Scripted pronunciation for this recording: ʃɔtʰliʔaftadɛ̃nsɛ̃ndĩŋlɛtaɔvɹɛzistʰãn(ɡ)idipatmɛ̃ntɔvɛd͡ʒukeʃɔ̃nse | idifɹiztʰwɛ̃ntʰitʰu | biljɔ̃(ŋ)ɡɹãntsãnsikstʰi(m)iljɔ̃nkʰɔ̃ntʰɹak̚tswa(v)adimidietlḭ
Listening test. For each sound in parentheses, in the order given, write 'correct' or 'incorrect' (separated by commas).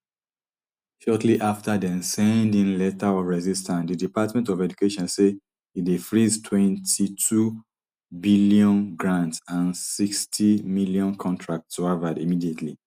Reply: incorrect, incorrect, correct, correct